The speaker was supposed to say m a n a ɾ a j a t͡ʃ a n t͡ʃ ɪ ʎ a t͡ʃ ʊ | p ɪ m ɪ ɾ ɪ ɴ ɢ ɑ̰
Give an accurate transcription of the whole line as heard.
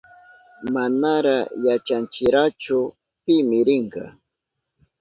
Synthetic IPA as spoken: m a n a ɾ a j a t͡ʃ a n t͡ʃ ɪ ɾ a t͡ʃ ʊ | p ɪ m ɪ ɾ ɪ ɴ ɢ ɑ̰

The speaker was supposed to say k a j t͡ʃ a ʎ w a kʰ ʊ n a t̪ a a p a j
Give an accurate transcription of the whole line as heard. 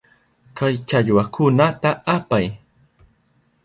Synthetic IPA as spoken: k a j t͡ʃ a ʎ w a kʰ ʊ n a t̪ a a p a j

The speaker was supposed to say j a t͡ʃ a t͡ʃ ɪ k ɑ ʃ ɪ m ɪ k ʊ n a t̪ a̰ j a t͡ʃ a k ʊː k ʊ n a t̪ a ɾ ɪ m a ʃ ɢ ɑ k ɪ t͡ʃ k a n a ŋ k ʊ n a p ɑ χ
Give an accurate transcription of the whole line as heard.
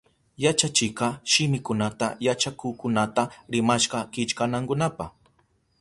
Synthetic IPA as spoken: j a t͡ʃ a t͡ʃ ɪ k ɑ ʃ ɪ m ɪ k ʊ n a t̪ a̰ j a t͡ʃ a k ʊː k ʊ n a t̪ a ɾ ɪ m a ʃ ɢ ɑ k ɪ t͡ʃ k a n a ŋ k ʊ n a p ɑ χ

